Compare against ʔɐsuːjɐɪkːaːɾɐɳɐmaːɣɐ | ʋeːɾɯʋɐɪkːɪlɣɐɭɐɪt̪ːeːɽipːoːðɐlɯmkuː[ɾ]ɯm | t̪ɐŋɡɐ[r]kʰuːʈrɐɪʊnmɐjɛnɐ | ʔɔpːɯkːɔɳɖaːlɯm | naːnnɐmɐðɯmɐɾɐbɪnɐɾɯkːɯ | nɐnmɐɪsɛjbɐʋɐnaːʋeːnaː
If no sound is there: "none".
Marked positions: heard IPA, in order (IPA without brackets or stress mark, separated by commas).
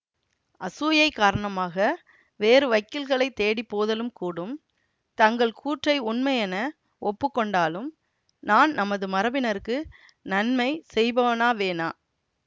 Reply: ɽ, ɭ